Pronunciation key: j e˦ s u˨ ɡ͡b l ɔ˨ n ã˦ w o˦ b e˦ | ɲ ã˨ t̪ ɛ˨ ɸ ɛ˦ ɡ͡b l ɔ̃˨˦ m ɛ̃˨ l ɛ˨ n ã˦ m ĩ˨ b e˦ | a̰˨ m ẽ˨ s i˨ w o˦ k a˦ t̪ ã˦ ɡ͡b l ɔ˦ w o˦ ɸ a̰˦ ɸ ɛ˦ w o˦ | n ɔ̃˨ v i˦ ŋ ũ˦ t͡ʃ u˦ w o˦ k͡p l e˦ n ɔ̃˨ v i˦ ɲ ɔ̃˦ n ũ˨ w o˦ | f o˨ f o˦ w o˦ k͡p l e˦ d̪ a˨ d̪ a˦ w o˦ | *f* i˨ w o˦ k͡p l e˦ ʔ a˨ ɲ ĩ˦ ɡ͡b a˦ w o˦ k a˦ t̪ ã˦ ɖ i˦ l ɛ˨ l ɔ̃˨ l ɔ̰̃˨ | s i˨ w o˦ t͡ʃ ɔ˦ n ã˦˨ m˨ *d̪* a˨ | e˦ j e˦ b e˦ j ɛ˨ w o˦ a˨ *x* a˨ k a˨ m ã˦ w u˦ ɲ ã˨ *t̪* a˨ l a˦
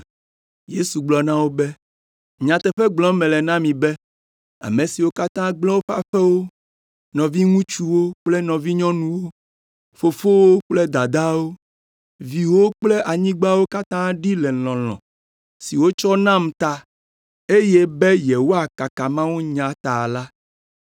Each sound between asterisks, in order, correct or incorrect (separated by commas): incorrect, incorrect, incorrect, correct